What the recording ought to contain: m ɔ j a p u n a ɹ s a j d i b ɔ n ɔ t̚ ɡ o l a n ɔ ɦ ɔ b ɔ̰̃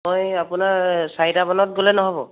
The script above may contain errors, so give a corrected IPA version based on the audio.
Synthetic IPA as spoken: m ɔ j a p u n a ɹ s a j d a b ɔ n ɔ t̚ ɡ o l ɛ n ɔ ɦ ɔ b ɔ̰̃

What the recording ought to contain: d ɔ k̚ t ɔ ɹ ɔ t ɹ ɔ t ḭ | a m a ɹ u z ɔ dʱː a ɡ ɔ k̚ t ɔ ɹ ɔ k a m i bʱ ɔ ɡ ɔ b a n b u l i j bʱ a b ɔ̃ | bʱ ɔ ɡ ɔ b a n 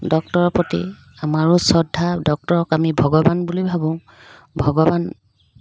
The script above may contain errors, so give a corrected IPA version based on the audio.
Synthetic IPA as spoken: d ɔ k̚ t ɔ ɹ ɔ p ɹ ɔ t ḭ | a m a ɹ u s ɔ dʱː a d ɔ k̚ t ɔ ɹ ɔ k a m i bʱ ɔ ɡ ɔ b a n b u l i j bʱ a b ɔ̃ | bʱ ɔ ɡ ɔ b a n

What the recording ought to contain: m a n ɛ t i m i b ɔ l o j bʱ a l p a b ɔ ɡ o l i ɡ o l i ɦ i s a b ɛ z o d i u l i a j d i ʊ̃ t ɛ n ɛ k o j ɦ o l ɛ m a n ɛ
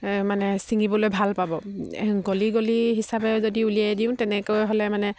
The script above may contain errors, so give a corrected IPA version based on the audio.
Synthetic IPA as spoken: m a n ɛ s i ŋ i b ɔ l o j bʱ a l p a b ɔ ɡ o l i ɡ o l i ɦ i s a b ɛ z o d i u l i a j d i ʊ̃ t ɛ n ɛ k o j ɦ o l ɛ m a n ɛ

